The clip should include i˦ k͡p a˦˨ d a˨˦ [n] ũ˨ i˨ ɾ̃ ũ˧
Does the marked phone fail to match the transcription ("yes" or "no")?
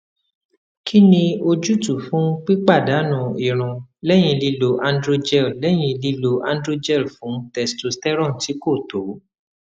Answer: no